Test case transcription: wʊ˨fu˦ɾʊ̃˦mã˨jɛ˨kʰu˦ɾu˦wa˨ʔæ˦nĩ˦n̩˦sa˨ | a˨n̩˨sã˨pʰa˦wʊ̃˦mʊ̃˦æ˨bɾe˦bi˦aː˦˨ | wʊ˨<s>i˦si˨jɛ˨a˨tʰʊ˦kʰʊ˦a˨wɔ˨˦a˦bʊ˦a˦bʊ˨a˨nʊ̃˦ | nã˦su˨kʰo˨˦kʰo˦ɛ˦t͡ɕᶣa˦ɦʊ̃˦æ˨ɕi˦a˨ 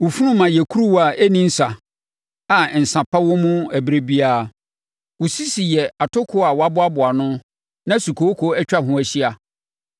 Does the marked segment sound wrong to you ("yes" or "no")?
no